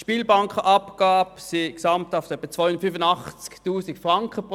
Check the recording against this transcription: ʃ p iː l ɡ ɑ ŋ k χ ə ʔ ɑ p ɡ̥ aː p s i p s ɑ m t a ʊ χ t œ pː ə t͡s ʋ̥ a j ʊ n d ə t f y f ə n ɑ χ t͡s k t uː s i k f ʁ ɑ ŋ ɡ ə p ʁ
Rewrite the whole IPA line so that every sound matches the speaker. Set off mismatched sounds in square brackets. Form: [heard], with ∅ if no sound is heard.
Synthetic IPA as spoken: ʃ p iː l [b] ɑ ŋ k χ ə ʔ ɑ p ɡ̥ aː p s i [k] s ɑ m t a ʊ [f] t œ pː ə t͡s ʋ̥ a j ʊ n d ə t f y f ə n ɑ χ t͡s k t uː s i k f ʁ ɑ ŋ [k] ə p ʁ